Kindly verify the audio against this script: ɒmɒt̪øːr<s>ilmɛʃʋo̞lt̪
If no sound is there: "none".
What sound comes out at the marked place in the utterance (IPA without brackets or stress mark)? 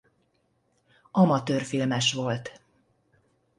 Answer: f